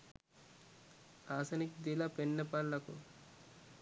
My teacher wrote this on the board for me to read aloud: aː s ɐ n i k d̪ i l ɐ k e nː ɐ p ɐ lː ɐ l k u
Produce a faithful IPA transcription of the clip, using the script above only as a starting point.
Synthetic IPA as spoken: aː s ɐ n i k d̪ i l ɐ p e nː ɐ p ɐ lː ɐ k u